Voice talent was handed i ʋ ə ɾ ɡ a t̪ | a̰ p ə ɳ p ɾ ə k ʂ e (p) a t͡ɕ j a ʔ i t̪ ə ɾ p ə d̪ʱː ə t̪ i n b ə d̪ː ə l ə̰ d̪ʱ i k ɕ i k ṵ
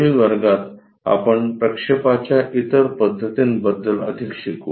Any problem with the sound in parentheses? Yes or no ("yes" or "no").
no